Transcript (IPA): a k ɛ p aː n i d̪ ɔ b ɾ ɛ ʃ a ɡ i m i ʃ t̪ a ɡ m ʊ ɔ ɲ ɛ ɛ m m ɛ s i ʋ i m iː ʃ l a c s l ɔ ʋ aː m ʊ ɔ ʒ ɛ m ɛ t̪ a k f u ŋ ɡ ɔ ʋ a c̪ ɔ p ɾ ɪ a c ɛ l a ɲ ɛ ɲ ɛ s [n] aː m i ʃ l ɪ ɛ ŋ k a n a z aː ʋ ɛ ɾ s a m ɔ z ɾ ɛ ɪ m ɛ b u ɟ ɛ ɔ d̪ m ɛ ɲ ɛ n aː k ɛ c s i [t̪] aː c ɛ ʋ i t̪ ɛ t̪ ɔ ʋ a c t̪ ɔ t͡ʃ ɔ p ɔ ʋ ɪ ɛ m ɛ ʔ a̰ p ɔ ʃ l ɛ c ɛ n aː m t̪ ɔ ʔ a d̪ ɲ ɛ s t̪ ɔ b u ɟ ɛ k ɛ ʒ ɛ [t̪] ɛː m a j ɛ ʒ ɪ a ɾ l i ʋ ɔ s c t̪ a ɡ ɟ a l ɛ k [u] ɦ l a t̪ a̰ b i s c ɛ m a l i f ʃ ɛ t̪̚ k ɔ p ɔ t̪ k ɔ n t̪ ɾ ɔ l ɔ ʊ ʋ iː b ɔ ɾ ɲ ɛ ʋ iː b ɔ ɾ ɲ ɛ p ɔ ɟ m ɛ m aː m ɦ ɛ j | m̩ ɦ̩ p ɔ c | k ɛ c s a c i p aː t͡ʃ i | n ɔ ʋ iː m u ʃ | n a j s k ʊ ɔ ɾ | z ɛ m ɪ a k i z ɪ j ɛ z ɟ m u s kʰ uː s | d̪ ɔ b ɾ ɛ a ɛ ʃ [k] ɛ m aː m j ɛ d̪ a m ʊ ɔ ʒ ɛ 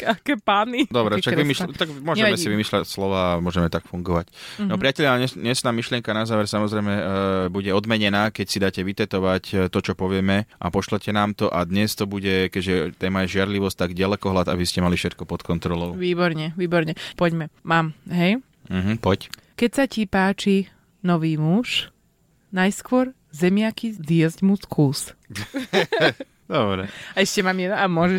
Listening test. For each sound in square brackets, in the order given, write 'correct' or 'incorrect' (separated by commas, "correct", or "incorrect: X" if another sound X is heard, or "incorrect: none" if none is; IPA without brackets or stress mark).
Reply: correct, incorrect: d̪, correct, incorrect: ɔ, incorrect: c